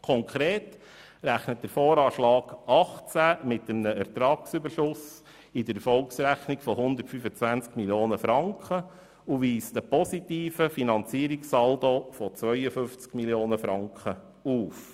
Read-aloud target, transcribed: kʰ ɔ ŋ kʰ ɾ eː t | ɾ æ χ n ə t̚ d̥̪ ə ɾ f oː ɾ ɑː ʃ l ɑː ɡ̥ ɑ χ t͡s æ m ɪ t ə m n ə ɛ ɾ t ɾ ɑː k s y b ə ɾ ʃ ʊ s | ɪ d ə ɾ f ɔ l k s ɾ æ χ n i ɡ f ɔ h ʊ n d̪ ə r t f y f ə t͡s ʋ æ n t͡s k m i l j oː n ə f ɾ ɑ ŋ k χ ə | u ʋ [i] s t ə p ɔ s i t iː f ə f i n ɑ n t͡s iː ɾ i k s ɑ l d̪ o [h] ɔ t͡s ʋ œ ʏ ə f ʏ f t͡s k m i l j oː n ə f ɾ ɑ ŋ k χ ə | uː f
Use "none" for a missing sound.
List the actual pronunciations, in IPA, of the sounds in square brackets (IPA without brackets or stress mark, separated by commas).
iː, f